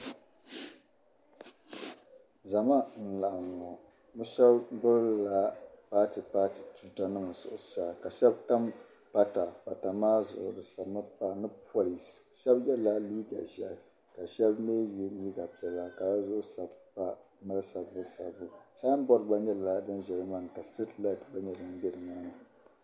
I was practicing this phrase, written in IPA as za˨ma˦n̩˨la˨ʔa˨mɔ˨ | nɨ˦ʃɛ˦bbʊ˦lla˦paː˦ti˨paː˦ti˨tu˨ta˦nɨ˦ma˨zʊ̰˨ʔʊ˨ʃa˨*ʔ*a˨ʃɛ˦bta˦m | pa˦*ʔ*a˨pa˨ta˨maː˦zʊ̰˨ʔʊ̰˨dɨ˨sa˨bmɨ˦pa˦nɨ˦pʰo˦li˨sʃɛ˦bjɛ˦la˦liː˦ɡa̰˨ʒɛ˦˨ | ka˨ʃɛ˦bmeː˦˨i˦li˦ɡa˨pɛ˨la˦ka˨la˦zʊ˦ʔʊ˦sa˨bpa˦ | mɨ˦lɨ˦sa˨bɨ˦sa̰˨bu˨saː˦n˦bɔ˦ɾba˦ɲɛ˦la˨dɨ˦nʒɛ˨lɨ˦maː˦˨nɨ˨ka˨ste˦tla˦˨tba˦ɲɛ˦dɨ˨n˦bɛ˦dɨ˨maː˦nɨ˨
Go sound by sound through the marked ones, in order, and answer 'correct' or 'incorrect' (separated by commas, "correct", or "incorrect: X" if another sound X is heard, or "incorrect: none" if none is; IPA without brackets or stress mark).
incorrect: k, incorrect: t